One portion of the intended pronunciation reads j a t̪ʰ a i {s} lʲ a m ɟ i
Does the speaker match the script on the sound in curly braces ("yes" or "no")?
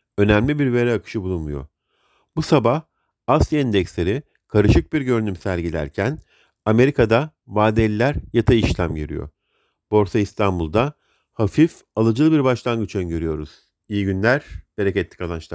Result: no